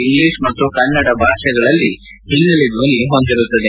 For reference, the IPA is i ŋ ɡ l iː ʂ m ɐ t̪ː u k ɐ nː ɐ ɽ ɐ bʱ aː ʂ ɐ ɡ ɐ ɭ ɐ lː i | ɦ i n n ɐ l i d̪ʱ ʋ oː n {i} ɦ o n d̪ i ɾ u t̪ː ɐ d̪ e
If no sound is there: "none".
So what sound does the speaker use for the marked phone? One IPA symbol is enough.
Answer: i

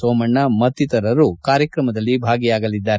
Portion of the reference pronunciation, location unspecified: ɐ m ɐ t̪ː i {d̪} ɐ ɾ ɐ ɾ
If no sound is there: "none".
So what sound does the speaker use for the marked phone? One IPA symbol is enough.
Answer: t̪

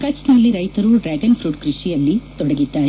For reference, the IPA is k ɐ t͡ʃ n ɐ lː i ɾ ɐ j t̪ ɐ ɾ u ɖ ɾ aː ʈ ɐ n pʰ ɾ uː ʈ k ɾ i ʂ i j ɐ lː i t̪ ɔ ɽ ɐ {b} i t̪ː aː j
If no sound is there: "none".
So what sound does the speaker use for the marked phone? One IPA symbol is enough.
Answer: ɡ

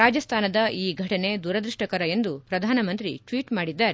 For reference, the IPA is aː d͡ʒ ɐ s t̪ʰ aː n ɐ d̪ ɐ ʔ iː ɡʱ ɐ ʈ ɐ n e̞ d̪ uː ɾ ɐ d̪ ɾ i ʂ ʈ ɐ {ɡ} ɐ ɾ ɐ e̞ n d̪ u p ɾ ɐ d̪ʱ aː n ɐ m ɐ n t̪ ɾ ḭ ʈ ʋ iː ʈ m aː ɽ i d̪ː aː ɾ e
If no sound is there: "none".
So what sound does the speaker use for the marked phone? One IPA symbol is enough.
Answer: k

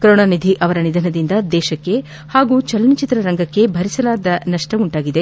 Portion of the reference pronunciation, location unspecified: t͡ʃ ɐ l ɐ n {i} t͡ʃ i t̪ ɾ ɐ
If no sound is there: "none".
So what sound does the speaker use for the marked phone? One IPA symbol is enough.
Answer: i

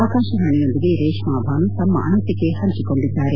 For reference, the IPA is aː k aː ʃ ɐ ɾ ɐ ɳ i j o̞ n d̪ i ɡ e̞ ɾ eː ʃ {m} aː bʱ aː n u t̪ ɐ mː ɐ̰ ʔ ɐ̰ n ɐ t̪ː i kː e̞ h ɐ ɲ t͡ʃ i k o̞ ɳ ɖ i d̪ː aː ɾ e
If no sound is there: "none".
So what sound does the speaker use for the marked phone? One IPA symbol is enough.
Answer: m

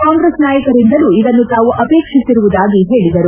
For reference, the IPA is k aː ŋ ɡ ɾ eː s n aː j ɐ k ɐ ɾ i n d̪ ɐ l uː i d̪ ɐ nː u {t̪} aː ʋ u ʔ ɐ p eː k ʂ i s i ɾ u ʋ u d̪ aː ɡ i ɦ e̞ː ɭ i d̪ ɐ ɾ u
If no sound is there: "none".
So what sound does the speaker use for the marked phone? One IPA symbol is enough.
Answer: t̪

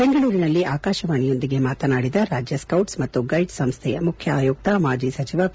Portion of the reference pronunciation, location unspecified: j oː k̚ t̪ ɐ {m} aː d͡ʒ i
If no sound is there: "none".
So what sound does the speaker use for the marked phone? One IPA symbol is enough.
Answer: m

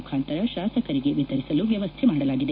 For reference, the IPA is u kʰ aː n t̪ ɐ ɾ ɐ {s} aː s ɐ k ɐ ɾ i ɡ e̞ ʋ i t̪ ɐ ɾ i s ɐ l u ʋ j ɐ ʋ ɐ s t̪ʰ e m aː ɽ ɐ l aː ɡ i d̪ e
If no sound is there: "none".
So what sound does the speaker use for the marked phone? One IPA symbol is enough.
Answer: ʃ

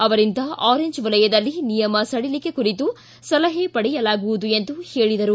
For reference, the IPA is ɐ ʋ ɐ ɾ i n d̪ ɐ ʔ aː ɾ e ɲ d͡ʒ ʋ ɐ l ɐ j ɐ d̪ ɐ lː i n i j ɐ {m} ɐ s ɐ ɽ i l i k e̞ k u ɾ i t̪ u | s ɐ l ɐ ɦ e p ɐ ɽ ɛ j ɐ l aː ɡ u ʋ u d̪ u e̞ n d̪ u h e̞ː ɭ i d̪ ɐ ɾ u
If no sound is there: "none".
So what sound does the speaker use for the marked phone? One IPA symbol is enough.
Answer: m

